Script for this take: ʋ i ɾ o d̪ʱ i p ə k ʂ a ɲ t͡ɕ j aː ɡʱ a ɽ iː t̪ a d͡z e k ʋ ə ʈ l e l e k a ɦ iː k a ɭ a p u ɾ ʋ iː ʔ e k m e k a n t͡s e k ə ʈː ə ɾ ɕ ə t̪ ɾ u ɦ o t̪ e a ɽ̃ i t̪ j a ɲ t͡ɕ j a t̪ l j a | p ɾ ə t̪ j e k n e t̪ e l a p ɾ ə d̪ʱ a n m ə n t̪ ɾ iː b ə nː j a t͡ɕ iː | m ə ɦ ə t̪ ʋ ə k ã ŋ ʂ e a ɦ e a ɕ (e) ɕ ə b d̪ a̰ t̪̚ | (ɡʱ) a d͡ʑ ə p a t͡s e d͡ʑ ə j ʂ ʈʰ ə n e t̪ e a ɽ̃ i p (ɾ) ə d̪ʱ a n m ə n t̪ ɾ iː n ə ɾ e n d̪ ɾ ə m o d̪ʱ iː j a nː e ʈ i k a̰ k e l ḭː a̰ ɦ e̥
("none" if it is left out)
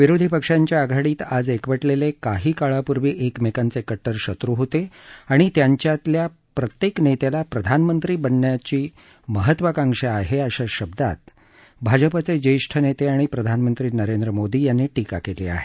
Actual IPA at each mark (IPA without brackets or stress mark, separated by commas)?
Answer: a, bʱ, ɾ